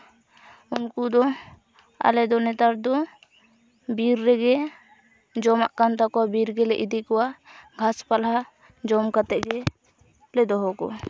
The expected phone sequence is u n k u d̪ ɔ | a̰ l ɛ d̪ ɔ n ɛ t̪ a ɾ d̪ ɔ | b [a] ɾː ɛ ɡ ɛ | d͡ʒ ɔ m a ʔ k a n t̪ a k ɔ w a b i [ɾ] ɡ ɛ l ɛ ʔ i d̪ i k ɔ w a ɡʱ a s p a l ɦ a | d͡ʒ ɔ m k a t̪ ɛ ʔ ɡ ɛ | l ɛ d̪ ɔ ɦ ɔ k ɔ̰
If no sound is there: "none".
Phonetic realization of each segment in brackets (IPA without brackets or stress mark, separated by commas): i, ɾ